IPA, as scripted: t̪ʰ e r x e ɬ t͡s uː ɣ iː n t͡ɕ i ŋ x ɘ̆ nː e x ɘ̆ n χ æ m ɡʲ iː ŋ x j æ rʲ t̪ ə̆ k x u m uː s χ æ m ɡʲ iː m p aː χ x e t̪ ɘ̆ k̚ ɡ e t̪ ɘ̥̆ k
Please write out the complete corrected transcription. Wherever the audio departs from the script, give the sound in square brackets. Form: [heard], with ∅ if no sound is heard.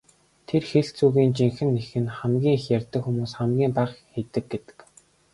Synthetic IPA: t̪ʰ e r x e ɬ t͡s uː ɣ iː n t͡ɕ i ŋ x ɘ̆ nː e x ɘ̆ n χ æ m ɡʲ iː ŋ x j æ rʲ t̪ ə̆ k x u m uː s χ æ m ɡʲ iː m p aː χ x e t̪ ɘ̆ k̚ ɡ e t̪ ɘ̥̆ k